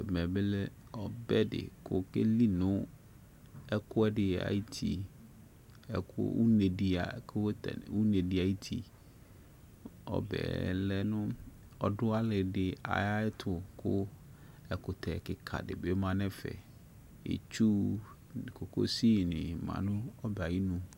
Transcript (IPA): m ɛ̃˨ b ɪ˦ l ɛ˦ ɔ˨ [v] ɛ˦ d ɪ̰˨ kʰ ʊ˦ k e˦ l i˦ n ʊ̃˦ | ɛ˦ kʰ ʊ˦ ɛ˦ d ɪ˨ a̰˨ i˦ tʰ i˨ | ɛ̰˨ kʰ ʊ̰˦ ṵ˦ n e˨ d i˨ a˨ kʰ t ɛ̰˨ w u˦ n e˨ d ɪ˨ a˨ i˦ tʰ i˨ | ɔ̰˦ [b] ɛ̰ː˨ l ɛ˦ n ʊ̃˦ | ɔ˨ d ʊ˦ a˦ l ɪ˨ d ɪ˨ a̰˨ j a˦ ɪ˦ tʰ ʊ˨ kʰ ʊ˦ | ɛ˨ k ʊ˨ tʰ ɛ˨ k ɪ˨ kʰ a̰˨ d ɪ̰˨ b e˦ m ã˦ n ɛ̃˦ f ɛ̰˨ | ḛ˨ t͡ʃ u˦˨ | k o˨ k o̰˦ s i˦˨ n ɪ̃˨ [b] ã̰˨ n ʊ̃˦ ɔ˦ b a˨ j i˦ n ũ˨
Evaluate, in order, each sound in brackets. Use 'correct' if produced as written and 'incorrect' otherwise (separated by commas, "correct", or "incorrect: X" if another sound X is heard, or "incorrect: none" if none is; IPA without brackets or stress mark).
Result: incorrect: b, correct, incorrect: m